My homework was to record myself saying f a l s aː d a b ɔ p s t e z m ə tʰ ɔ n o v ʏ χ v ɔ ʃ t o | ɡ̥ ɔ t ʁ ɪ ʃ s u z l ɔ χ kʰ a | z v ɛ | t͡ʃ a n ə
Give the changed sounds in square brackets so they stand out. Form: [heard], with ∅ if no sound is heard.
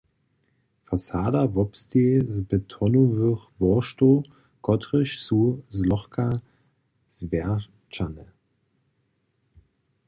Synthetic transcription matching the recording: f a [∅] s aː d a [v] ɔ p s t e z [b] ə tʰ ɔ n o v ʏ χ v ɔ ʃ t o | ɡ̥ ɔ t ʁ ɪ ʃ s u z l ɔ χ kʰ a | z v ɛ | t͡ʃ a n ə